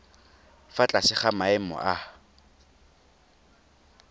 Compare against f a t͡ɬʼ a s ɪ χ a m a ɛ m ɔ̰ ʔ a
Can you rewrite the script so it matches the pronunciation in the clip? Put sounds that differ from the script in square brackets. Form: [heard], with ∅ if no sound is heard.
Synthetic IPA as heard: f a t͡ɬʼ a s ɪ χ a m a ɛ m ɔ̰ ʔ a